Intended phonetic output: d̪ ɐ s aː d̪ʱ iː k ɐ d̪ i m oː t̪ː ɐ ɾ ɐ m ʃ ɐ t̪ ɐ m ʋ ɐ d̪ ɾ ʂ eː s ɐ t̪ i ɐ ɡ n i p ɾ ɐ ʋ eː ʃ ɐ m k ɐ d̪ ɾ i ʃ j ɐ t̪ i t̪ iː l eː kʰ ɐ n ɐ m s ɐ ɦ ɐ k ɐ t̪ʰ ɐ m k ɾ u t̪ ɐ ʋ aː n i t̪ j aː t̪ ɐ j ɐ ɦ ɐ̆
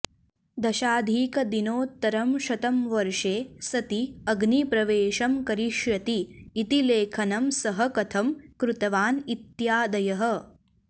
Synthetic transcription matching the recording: d̪ ɐ ʃ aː d̪ʱ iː k ɐ d̪ i n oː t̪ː ɐ ɾ ɐ m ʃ ɐ t̪ ɐ m ʋ ɐ ɾ ʂ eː s ɐ t̪ i ɐ ɡ n i p ɾ ɐ ʋ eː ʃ ɐ m k ɐ ɾ i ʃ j ɐ t̪ iː t̪ i l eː kʰ ɐ n ɐ m s ɐ ɦ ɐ k ɐ t̪ʰ ɐ m k ɾ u t̪ ɐ ʋ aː n i t̪ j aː d̪ ɐ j ɐ ɦ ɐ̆

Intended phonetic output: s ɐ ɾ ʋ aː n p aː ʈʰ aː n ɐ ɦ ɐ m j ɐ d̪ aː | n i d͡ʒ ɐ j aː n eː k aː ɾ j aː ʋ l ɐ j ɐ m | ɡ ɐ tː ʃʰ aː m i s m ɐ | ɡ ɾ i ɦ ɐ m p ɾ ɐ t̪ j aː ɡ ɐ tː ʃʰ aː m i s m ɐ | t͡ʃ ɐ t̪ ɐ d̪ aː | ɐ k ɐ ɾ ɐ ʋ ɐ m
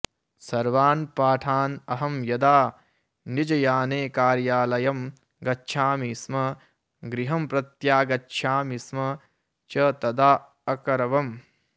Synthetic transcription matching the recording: s ɐ ɾ ʋ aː n p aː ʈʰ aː n ɐ ɦ ɐ m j ɐ d̪ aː | n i d͡ʒ ɐ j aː n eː k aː ɾ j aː l ɐ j ɐ m | ɡ ɐ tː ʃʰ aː m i s m ɐ | ɡ ɾ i ɦ ɐ m p ɾ ɐ t̪ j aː ɡ ɐ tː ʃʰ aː m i s m ɐ | t͡ʃ ɐ t̪ ɐ d̪ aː | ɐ k ɐ ɾ ɐ ʋ ɐ m

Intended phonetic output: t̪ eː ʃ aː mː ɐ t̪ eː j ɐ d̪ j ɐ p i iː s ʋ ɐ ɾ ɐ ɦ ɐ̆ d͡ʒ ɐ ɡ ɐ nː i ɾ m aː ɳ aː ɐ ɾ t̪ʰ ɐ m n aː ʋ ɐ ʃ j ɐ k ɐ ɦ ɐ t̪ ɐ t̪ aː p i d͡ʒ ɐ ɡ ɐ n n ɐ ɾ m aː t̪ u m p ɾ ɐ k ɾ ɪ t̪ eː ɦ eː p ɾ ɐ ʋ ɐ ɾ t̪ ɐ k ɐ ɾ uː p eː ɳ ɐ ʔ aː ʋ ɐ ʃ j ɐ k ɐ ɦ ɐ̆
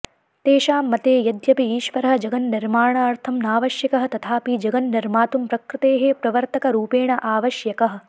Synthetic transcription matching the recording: t̪ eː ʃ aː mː ɐ t̪ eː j ɐ d̪ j ɐ p i iː ʃ ʋ ɐ ɾ ɐ ɦ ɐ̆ d͡ʒ ɐ ɡ ɐ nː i ɾ m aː ɳ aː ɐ ɾ t̪ʰ ɐ m n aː ʋ ɐ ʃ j ɐ k ɐ ɦ ɐ t̪ ɐ t̪ʰ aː p i d͡ʒ ɐ ɡ ɐ n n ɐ ɾ m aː t̪ u m p ɾ ɐ k ɾ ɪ t̪ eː ɦ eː p ɾ ɐ ʋ ɐ ɾ t̪ ɐ k ɐ ɾ uː p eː ɳ ɐ ʔ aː ʋ ɐ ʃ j ɐ k ɐ ɦ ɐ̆

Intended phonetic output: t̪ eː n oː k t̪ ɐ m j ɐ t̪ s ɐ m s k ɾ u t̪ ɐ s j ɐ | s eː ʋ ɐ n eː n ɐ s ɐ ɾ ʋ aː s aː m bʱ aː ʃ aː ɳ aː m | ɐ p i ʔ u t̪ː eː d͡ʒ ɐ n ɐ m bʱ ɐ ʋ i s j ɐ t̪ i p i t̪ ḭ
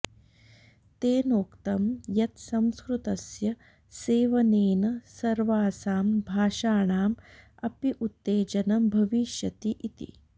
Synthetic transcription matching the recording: t̪ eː n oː k t̪ ɐ m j ɐ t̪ s ɐ m s k ɾ u t̪ ɐ s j ɐ | s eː ʋ ɐ n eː n ɐ s ɐ ɾ ʋ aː s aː m bʱ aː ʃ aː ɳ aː m | ɐ p i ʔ u t̪ː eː d͡ʒ ɐ n ɐ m bʱ ɐ ʋ i ʃ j ɐ t̪ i ʔ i t̪ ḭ

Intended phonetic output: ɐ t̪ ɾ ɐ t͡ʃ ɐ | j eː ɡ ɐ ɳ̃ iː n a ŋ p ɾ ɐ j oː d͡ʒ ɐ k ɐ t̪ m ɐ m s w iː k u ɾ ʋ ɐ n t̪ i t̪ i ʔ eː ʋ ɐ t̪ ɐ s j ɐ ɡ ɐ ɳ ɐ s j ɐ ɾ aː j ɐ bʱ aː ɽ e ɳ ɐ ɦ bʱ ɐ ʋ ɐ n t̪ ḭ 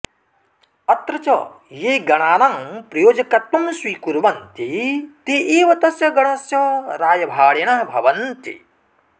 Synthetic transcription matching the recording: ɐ t̪ ɾ ɐ t͡ʃ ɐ | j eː ɡ ɐ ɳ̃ aː n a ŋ p ɾ ɐ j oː d͡ʒ ɐ k ɐ t̪ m ɐ m s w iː k u ɾ ʋ ɐ n t̪ i t̪ i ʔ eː ʋ ɐ t̪ ɐ s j ɐ ɡ ɐ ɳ ɐ s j ɐ ɾ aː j ɐ bʱ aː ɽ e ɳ ɐ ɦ bʱ ɐ ʋ ɐ n t̪ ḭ

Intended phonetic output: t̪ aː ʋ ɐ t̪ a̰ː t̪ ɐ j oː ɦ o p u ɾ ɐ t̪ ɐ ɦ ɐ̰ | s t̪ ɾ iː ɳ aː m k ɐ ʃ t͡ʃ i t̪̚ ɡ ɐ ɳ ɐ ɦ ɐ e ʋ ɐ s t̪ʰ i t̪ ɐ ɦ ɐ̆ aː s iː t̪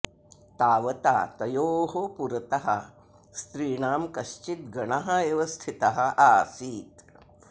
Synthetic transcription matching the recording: t̪ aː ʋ ɐ t̪ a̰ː t̪ ɐ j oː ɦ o p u ɾ ɐ t̪ ɐ ɦ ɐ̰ | s t̪ ɾ iː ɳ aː m k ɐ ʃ t͡ʃ i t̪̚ ɡ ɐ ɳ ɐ ɦ ɐ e ʋ ɐ s t̪ʰ i t̪ ɐ ɦ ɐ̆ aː s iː t̪

